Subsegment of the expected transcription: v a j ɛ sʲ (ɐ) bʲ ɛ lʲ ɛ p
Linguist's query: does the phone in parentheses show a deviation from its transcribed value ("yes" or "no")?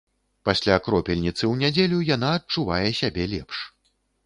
yes